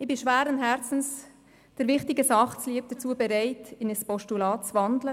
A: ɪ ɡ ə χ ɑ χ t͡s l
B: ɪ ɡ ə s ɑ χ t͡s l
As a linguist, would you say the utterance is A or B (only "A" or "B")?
B